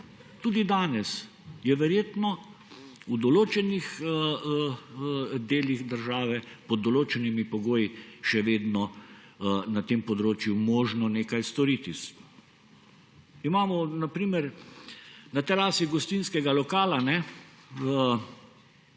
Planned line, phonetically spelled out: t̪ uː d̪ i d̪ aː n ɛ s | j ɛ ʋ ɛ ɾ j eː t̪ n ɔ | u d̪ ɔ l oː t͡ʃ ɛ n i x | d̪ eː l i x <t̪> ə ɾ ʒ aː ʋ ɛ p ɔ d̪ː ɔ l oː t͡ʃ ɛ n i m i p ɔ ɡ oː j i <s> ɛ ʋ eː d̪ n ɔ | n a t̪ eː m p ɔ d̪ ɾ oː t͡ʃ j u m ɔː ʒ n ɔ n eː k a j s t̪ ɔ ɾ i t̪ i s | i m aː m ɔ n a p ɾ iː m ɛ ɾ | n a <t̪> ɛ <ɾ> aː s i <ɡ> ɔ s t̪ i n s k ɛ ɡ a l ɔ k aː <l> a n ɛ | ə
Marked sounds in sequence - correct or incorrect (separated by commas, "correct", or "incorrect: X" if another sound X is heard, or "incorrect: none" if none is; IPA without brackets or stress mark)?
incorrect: d̪, incorrect: ʃ, correct, correct, correct, correct